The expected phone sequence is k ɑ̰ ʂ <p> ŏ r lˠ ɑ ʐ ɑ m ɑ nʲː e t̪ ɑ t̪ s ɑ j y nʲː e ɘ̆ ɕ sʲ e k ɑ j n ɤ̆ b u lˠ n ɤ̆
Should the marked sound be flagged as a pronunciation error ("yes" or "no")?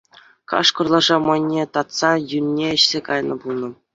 yes